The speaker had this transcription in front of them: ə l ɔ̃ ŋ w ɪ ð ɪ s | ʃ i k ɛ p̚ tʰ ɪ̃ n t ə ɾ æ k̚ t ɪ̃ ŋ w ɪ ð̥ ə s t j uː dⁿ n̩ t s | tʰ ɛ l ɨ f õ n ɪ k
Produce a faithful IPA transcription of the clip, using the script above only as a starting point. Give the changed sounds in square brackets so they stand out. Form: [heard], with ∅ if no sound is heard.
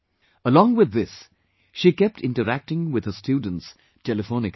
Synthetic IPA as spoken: ə l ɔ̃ ŋ w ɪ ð ɪ s | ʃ i k ɛ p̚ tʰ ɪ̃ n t ə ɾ æ k̚ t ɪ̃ ŋ w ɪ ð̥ ə s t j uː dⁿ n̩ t s | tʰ ɛ l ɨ f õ n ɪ k